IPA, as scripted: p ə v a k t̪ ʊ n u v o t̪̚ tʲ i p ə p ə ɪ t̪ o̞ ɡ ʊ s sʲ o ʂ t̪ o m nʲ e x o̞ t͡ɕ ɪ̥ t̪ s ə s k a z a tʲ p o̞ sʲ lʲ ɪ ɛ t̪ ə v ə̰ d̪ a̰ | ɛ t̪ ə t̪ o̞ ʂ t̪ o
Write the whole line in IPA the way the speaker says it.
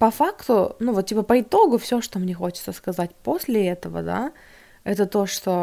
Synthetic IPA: p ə f a k t̪ ʊ n u v o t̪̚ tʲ i p ə p ə ɪ t̪ o̞ ɡ ʊ f sʲ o ʂ t̪ o m nʲ e x o̞ t͡ɕ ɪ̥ t̪ s ə s k ɐ z a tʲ p o̞ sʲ lʲ ɪ ɛ t̪ ə v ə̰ d̪ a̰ | ɛ t̪ ə t̪ o̞ ʂ t̪ o